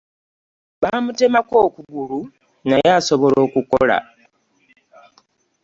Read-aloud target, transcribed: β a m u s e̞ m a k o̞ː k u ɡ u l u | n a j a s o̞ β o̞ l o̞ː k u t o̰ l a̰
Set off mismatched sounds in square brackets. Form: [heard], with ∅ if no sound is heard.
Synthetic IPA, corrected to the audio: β a m u [t] e̞ m a k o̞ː k u ɡ u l u | n a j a s o̞ β o̞ l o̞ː k u [k] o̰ l a̰